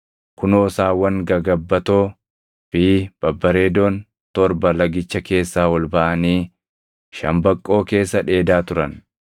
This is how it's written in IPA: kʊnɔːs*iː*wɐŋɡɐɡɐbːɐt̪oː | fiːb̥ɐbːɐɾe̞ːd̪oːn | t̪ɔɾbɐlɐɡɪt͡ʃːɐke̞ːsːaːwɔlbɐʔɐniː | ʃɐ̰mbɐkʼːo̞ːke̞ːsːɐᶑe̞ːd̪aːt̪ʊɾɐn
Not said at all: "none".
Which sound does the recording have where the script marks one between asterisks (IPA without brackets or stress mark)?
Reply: aː